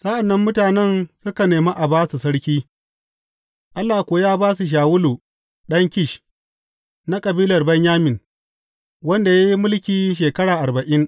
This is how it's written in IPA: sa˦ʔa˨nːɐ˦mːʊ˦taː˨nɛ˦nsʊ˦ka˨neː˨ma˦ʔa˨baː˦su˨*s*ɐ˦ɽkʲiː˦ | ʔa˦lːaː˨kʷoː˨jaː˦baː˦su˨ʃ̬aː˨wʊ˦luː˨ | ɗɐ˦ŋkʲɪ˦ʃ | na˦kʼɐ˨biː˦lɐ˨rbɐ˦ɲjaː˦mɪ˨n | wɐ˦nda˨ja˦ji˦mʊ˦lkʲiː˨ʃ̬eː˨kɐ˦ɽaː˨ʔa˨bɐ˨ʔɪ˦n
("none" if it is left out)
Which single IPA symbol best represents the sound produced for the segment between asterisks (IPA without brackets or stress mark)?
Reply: s